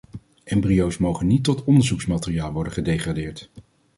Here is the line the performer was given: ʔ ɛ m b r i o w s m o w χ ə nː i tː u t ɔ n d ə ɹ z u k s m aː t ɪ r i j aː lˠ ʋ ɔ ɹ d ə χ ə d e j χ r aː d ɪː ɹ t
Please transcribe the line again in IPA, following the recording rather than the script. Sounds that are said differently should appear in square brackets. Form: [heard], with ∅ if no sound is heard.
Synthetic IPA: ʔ ɛ m b r i o w s m o w χ ə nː i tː [ɔ] t ɔ n d ə ɹ z u k s m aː t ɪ r i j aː lˠ ʋ ɔ ɹ d ə χ ə d e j χ r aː d ɪː ɹ t